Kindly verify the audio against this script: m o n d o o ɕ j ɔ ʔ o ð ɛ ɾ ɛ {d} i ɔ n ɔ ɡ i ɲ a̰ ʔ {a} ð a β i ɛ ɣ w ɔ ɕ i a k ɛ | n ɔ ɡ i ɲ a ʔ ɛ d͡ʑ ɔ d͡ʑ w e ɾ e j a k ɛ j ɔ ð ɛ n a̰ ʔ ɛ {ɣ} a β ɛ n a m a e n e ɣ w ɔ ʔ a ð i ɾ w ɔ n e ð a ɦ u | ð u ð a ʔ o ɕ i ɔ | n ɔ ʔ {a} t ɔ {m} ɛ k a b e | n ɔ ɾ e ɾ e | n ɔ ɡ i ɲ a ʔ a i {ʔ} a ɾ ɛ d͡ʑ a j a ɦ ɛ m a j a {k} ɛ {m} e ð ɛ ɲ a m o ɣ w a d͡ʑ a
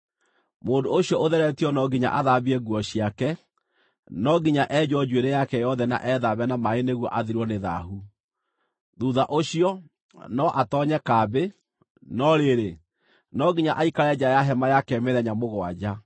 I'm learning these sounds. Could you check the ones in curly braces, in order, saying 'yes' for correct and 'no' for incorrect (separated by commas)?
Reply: no, yes, no, yes, no, no, yes, yes